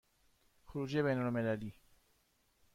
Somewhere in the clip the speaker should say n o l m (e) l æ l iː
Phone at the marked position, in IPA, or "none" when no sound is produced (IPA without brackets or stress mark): e